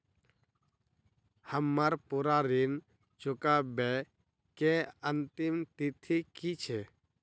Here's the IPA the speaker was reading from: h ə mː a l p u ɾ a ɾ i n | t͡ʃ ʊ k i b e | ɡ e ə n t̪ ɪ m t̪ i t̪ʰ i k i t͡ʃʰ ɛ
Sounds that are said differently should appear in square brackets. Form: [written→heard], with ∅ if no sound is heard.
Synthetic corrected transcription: h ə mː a [l→ɾ] p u ɾ a ɾ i n | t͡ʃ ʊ k [i→a] b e | [ɡ→k] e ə n t̪ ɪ m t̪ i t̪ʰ i k i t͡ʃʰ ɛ